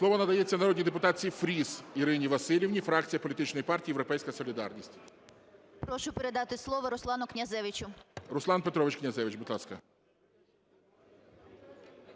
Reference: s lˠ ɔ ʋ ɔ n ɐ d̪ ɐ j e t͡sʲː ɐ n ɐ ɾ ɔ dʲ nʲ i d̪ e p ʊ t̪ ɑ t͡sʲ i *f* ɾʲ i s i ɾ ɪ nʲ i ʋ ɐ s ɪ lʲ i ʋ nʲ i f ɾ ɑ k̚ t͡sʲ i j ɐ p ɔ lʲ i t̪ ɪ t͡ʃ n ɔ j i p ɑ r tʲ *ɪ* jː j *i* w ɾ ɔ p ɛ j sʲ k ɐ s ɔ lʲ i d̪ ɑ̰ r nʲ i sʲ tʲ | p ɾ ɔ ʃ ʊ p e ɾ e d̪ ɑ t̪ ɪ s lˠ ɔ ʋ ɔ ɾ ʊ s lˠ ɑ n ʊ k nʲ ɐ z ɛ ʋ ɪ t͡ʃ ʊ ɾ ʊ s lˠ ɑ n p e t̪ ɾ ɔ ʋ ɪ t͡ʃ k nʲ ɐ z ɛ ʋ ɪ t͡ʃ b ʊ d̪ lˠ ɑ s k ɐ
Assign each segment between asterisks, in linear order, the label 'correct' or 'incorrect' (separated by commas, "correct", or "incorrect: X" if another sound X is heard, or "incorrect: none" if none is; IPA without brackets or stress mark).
correct, incorrect: i, incorrect: e